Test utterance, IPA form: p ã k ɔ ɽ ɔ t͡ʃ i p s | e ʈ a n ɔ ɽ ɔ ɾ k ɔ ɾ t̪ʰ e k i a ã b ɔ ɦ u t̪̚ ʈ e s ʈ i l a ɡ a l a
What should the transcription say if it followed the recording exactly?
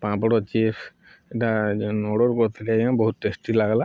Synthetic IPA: p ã p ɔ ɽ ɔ t͡ʃ i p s | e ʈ a n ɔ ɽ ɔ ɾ k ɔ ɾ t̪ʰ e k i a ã b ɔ ɦ u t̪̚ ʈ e s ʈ i l a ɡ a l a